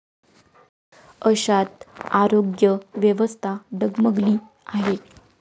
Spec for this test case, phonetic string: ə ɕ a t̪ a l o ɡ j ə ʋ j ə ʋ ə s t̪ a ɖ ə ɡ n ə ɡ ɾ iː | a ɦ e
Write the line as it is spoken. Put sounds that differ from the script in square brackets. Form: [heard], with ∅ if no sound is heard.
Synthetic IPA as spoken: ə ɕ a t̪ a [ɾ] o ɡ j ə ʋ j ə ʋ ə s [t̪ʰ] a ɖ ə ɡ [m] ə ɡ [l] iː | a ɦ e